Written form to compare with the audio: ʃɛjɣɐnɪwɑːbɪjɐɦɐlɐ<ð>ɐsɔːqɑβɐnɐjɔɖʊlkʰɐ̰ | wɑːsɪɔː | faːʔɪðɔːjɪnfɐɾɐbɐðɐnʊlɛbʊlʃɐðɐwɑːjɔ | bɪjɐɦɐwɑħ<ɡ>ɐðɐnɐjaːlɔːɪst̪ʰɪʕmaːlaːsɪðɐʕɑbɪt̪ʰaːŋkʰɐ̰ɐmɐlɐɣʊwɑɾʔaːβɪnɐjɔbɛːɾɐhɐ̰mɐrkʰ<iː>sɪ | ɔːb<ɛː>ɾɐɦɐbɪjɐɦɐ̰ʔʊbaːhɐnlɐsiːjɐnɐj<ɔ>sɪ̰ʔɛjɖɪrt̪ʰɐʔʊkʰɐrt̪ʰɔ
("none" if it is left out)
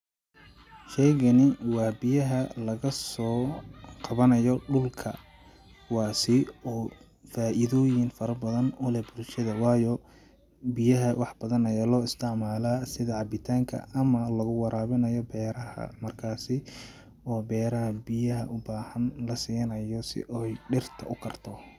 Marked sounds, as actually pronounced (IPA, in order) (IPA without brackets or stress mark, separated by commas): ɣ, b, aː, ɛː, ɔ